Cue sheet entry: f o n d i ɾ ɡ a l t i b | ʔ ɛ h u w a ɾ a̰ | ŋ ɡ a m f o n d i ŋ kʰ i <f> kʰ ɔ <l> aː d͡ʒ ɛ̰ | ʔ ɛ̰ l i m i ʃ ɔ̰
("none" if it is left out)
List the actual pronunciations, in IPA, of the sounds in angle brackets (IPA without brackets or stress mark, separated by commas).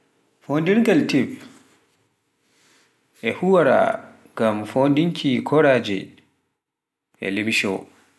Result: none, ɾ